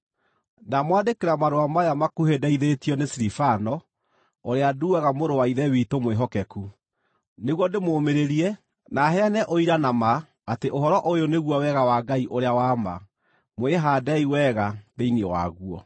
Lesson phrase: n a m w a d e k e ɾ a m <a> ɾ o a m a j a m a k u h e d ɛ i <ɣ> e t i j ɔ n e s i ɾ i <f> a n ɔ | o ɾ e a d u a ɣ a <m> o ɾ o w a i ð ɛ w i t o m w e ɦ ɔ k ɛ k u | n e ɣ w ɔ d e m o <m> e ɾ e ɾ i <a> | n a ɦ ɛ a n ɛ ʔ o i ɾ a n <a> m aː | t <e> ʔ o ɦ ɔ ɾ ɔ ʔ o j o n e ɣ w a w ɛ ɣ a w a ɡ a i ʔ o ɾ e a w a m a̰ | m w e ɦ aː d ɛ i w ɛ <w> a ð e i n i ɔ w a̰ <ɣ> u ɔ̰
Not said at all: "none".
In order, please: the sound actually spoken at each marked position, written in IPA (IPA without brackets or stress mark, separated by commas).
a, ð, f, m, m, ɛ, a, e, ɣ, ɣ